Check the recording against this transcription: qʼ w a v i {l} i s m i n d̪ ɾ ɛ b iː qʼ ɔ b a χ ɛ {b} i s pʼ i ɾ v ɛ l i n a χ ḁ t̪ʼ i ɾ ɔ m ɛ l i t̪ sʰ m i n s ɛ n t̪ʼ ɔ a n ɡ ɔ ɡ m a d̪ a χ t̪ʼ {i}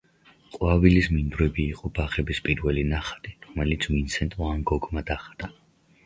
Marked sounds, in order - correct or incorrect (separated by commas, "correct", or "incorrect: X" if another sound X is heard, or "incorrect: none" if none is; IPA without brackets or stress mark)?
correct, correct, incorrect: a